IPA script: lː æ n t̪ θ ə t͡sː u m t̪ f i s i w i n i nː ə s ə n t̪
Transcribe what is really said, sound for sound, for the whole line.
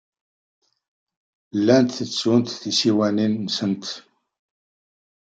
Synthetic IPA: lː æ n t̪ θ ə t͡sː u n t̪ θ i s i w æ n i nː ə s ə n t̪

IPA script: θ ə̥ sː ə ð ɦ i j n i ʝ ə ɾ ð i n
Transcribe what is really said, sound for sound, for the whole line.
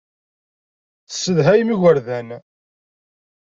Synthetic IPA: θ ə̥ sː ə ð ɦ æ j m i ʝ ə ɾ ð æ n

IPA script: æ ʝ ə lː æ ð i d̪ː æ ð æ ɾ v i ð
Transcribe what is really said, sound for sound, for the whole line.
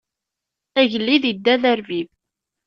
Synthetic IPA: æ ʝ ə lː i ð i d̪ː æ ð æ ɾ v i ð

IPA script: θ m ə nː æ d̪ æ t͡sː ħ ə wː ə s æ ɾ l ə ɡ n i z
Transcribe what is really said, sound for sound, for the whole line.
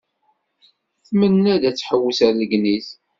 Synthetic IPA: θ m ə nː æ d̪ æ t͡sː ħ ə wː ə s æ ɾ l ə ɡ n i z

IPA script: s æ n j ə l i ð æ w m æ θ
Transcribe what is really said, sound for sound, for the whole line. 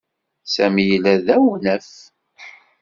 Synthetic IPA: s æ m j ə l æ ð æ w n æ f

